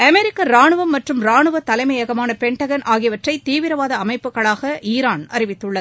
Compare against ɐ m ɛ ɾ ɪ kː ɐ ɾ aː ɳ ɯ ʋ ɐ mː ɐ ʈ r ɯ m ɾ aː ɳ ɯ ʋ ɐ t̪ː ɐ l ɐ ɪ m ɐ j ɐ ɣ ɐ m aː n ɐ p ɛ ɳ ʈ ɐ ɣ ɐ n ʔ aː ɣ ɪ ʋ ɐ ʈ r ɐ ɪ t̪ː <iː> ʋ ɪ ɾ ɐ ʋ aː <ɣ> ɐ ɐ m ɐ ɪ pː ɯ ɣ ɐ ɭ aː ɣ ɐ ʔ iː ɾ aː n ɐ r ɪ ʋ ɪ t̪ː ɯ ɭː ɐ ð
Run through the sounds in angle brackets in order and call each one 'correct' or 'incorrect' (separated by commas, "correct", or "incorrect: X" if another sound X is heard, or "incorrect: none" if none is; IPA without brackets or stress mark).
correct, incorrect: ð